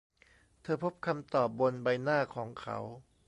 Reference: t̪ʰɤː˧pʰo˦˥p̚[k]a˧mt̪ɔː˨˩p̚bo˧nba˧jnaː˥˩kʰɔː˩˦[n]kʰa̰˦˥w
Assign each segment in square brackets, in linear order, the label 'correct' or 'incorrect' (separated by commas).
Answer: incorrect, incorrect